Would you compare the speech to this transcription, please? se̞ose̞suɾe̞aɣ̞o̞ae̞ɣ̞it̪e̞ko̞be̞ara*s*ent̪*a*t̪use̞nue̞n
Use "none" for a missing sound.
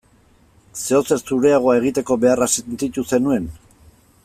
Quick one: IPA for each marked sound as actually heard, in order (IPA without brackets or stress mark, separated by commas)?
s, i